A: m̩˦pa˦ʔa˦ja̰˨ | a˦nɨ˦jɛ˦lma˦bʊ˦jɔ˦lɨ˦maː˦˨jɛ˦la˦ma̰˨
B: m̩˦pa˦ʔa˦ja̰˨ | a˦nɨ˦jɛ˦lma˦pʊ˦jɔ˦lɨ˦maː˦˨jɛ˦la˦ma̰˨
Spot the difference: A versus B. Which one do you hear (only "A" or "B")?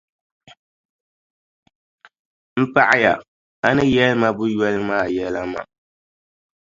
A